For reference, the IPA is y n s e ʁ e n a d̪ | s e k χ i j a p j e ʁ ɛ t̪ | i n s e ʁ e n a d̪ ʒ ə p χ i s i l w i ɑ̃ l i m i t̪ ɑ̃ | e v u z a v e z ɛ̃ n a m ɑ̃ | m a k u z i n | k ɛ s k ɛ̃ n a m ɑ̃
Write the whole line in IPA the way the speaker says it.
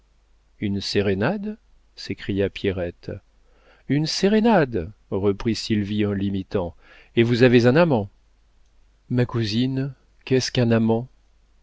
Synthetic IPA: y n s e ʁ e n a d̪ | s e k χ i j a p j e ʁ ɛ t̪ | y n s e ʁ e n a d̪ ʁ ə p χ i s i l v i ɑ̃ l i m i t̪ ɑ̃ | e v u z a v e z ɛ̃ n a m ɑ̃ | m a k u z i n | k ɛ s k ɛ̃ n a m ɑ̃